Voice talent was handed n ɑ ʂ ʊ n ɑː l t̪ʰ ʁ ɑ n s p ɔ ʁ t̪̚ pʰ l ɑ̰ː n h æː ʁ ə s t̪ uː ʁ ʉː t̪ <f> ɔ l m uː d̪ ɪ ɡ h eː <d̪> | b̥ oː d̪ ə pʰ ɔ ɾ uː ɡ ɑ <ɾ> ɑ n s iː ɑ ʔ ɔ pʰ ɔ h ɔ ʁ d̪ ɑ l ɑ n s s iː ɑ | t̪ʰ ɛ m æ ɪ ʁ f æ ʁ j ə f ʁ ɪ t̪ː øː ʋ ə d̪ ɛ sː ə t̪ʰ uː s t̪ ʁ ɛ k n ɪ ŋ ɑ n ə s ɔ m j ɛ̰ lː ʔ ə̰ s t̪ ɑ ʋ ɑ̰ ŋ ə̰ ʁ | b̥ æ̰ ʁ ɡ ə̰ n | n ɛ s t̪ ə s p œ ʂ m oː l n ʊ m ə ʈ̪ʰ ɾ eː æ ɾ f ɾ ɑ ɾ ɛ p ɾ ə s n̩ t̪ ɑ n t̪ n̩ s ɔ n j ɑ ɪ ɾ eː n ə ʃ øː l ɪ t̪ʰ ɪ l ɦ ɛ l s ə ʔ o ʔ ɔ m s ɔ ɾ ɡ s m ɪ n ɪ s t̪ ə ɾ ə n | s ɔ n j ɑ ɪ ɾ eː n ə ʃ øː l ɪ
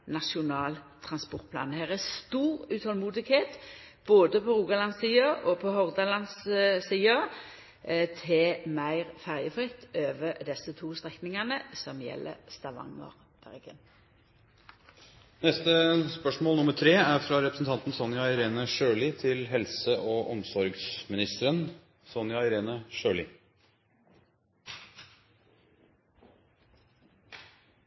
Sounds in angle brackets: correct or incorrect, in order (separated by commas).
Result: incorrect, incorrect, incorrect